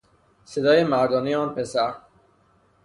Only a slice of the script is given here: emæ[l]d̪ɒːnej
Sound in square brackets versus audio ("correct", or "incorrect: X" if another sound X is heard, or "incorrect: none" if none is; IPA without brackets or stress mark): incorrect: ɾ